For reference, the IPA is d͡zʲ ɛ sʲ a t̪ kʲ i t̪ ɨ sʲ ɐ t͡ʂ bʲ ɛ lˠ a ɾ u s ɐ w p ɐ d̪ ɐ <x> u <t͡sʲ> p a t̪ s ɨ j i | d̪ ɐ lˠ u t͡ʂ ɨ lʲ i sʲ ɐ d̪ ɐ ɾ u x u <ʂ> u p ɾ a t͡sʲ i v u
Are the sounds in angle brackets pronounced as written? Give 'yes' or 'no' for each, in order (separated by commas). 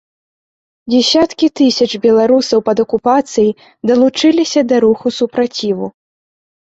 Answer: no, no, no